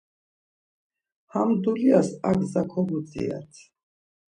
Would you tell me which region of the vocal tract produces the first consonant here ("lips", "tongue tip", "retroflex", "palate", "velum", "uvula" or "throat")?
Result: throat